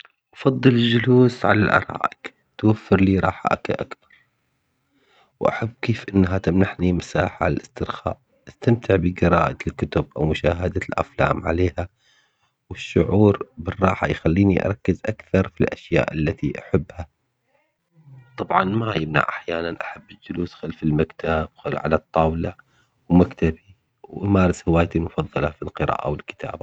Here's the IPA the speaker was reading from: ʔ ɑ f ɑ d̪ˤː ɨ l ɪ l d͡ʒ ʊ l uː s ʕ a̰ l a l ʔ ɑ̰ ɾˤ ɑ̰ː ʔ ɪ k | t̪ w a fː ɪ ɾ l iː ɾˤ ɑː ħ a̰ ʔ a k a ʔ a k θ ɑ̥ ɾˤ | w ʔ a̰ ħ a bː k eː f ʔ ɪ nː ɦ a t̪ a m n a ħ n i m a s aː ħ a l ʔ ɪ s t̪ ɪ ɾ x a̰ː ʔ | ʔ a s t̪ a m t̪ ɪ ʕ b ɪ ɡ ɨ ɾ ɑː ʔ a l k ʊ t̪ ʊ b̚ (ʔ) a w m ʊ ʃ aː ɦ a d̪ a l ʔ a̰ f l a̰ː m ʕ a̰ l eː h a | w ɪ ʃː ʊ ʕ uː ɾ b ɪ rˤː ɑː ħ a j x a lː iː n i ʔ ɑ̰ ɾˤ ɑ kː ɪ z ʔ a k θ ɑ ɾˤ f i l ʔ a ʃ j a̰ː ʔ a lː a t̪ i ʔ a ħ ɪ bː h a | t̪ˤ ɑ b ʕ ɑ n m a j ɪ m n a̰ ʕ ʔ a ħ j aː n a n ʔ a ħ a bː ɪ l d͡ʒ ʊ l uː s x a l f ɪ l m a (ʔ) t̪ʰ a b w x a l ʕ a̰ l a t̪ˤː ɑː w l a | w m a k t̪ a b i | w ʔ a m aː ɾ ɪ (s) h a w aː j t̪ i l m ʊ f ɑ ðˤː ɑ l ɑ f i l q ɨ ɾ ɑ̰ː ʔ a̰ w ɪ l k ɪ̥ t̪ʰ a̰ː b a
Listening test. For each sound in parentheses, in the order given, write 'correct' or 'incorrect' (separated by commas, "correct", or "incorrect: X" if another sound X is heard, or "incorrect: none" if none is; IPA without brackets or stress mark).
correct, incorrect: k, correct